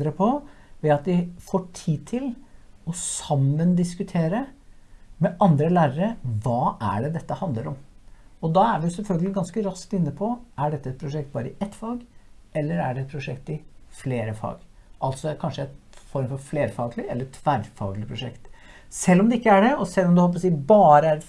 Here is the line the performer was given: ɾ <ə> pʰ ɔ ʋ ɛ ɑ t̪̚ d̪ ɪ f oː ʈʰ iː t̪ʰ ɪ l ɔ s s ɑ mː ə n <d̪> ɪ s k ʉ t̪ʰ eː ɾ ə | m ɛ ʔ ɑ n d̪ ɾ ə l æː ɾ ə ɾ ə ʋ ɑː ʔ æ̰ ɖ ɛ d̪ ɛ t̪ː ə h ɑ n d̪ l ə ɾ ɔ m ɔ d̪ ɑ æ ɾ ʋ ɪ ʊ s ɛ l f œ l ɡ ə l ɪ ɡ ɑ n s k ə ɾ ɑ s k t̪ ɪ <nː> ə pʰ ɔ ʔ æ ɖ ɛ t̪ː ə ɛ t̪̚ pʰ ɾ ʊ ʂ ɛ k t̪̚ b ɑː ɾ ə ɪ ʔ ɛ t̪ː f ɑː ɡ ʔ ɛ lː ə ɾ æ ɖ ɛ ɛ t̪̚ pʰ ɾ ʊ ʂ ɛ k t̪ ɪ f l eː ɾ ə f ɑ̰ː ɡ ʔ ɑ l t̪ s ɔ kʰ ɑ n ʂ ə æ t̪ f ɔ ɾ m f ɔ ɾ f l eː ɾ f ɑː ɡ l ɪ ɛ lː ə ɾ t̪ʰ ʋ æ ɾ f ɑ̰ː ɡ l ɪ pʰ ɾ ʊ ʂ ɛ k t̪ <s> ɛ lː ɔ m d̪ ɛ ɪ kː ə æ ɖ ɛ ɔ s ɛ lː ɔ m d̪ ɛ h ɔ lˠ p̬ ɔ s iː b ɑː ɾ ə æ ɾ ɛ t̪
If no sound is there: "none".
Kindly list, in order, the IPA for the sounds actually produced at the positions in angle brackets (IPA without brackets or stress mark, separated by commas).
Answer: ə, d̪, nː, s